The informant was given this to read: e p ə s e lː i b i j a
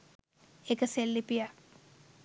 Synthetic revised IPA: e k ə s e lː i p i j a